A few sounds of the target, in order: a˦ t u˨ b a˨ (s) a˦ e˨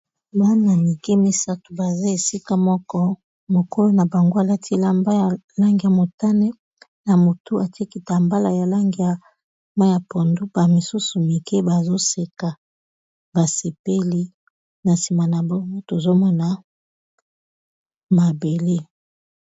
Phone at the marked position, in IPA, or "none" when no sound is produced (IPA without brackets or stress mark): z